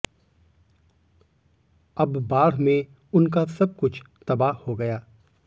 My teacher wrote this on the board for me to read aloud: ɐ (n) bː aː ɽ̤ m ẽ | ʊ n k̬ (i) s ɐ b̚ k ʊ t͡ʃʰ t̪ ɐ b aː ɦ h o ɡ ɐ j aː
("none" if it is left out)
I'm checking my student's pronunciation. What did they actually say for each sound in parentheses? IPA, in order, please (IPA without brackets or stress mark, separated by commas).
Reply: none, a